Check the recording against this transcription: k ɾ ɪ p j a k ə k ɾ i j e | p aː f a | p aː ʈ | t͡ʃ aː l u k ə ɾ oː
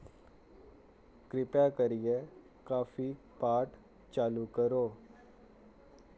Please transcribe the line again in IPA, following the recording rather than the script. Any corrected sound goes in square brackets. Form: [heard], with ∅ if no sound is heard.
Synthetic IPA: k ɾ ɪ p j a k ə [∅] ɾ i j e | [k] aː f [i] | p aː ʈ | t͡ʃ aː l u k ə ɾ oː